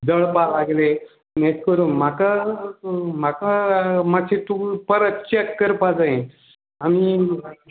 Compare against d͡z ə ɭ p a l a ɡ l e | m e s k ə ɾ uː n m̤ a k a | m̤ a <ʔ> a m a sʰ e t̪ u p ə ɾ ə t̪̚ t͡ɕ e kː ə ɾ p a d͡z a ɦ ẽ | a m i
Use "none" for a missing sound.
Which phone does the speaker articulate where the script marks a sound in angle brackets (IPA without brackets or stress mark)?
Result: k